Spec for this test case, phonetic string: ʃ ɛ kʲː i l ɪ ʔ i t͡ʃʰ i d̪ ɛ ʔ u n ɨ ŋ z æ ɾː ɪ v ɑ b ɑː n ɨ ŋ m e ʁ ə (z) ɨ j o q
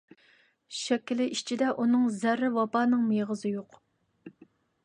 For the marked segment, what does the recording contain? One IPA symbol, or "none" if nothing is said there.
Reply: z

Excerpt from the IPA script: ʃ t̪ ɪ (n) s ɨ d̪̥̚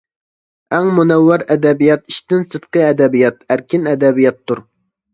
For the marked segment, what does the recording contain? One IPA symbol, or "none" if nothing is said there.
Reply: n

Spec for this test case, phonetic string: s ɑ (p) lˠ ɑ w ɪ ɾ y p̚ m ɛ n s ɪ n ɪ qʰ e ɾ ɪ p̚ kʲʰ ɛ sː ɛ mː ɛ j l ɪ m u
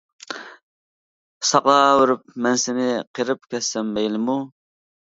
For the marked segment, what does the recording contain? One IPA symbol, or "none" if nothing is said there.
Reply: q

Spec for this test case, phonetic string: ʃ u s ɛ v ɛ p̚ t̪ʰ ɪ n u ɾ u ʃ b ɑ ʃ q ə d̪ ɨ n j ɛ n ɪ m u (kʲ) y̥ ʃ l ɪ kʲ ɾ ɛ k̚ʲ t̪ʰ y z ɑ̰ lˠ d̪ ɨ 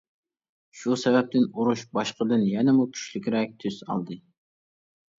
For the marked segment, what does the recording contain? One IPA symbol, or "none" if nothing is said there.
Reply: kʲʰ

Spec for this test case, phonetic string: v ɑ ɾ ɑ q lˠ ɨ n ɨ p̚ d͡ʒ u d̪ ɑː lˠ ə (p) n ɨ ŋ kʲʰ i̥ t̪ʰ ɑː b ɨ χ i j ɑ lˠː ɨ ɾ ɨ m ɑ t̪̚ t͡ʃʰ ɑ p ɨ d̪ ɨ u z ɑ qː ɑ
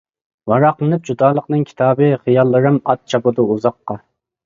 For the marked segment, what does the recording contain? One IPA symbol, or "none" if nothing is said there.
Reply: q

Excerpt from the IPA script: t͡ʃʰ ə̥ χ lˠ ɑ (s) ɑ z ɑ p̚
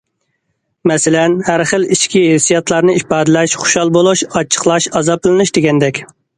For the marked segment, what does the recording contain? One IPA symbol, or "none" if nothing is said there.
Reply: ʃ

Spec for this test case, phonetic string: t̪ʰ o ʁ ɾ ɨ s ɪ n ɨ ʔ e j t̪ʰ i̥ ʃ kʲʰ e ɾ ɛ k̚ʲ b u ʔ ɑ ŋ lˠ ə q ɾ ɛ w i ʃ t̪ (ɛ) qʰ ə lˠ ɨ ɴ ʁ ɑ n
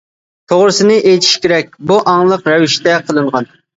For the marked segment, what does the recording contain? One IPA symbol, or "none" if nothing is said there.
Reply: ɛ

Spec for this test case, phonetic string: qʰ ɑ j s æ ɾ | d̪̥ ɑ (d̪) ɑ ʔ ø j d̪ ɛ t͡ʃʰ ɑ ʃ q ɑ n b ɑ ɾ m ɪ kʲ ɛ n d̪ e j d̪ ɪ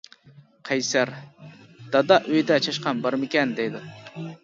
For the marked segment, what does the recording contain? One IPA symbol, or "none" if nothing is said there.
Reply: d̪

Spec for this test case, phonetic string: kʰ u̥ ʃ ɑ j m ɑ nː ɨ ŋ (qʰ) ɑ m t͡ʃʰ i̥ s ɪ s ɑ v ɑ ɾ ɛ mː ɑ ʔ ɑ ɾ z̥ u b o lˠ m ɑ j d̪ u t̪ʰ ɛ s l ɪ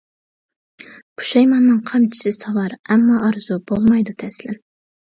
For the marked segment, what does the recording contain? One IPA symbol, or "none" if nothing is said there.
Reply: qʰ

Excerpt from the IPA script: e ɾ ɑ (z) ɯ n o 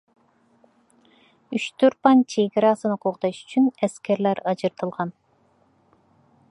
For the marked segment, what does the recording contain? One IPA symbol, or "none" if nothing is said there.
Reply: s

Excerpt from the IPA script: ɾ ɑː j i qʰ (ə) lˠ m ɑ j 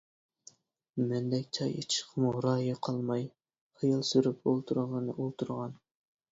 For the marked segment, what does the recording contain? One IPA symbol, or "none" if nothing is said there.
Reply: ɑ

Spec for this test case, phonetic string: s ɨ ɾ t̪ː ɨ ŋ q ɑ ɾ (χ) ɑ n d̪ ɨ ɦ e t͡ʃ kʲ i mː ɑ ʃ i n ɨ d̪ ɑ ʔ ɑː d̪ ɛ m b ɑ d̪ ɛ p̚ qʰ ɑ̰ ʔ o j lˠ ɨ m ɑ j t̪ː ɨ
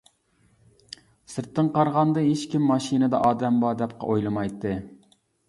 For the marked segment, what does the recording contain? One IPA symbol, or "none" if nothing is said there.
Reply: ʁ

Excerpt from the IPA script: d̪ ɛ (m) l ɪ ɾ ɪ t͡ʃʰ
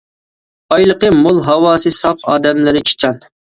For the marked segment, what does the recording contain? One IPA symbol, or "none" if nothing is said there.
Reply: m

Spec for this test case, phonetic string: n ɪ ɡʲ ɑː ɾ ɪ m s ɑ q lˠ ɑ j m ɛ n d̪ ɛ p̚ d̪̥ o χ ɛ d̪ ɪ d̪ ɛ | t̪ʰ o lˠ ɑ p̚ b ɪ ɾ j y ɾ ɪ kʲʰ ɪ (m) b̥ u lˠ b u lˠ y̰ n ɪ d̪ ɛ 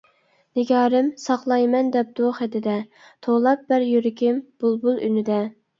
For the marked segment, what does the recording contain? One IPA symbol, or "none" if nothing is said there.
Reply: m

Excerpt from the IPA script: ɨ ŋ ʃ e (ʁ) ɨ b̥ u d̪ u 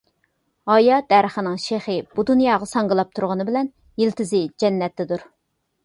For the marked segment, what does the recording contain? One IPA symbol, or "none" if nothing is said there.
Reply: χ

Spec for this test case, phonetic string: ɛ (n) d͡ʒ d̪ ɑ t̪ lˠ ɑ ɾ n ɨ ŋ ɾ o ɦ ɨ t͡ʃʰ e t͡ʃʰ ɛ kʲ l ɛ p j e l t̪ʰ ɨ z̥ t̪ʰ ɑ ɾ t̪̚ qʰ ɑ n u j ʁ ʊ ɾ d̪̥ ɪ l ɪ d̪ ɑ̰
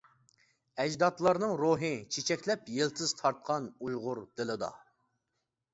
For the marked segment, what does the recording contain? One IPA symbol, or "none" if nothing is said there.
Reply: none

